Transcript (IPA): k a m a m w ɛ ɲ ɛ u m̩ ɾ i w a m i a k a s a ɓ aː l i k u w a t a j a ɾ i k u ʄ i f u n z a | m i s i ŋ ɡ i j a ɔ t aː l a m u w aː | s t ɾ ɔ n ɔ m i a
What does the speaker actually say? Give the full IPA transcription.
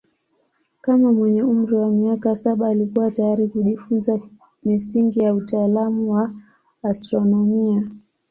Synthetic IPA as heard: k a m a m w ɛ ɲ ɛ u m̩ ɾ i w a m i a k a s a ɓ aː l i k u w a t a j a ɾ i k u ʄ i f u n z a | m i s i ŋ ɡ i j a u t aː l a m u w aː | s t ɾ ɔ n ɔ m i a